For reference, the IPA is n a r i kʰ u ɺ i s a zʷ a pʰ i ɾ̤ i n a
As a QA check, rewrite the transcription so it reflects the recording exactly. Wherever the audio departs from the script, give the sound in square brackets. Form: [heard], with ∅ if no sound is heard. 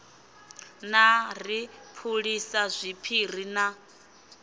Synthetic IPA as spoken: n a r i [pʰ] u ɺ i s a zʷ [i] pʰ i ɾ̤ i n a